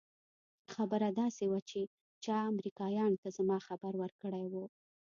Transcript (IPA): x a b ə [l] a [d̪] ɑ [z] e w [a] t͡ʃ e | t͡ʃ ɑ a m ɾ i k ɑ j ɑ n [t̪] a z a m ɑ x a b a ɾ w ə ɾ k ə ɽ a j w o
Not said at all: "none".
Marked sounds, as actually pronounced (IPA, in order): ɾ, d̪, s, a, t̪

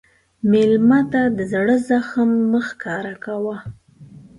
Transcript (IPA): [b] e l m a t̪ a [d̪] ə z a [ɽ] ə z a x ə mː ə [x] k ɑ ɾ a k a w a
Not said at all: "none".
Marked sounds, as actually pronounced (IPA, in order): m, d̪, ɽ, x

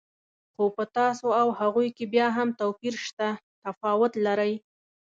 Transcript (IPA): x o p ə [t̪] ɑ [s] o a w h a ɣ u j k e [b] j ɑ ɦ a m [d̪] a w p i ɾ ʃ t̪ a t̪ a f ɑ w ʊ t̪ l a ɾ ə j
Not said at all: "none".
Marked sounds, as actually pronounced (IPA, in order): t̪, s, b, t̪

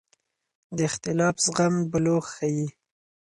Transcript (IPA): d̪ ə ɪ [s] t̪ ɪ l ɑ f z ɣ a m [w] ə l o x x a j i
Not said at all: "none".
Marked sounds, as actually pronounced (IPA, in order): x, b

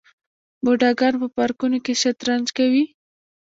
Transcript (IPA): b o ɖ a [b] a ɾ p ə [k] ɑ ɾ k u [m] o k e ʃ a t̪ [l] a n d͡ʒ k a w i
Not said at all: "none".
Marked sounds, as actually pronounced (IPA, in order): ɡ, p, n, ɾ

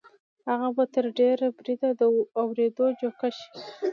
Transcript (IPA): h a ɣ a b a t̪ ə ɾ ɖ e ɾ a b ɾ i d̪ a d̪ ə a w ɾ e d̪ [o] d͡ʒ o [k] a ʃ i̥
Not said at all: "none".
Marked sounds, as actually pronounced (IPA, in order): o, k

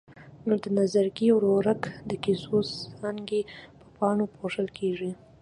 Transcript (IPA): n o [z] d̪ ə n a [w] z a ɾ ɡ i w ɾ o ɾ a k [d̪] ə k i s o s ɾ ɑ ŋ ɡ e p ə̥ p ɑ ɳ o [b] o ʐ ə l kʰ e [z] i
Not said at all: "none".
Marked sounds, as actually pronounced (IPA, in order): none, none, d̪, p, ʐ

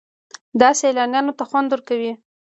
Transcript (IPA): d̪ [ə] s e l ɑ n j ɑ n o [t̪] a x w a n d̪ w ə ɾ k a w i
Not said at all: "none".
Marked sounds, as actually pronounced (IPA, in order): ɑ, t̪

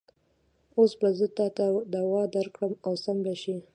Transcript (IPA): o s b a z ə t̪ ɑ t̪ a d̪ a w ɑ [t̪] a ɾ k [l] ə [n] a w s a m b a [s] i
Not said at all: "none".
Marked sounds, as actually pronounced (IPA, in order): d̪, ɽ, m, ʃ

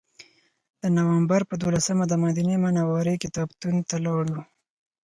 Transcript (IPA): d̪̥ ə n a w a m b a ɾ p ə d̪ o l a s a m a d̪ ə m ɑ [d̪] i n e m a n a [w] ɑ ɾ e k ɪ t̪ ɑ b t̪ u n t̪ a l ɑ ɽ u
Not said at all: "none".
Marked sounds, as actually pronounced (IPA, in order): d̪, w

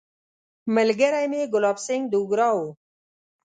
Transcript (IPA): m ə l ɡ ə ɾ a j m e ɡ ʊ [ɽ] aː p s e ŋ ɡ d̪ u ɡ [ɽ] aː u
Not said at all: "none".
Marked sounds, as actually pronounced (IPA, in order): l, ɾ

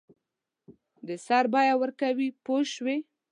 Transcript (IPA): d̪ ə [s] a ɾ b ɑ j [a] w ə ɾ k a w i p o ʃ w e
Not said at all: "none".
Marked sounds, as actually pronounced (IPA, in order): s, a

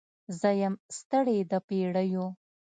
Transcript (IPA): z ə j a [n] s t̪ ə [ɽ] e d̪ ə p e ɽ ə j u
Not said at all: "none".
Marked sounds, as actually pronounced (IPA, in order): m, ɽ

